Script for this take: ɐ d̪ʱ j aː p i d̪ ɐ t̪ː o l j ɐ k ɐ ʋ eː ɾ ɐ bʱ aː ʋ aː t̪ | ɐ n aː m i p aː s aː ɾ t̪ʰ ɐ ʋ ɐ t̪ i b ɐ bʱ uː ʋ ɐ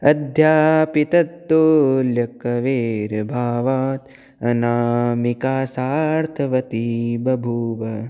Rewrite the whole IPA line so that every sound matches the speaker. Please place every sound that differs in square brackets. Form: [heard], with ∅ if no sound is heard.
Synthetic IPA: ɐ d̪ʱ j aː p i [t̪] ɐ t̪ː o l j ɐ k ɐ ʋ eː ɾ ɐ bʱ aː ʋ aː t̪ | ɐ n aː m i [k] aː s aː ɾ t̪ʰ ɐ ʋ ɐ t̪ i b ɐ bʱ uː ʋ ɐ